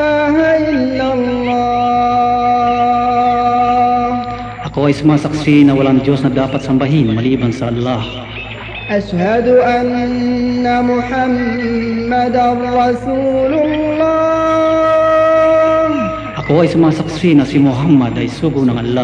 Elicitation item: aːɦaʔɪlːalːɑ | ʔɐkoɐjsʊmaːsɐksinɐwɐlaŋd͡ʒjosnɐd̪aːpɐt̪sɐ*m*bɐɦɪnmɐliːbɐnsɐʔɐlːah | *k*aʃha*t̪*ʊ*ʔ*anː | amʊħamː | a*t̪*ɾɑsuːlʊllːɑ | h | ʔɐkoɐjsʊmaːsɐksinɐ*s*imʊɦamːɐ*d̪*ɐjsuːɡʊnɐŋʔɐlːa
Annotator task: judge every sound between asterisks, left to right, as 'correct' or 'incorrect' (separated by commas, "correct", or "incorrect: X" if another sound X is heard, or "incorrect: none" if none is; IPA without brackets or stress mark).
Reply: correct, incorrect: ʔ, incorrect: d̪, correct, incorrect: d̪, correct, correct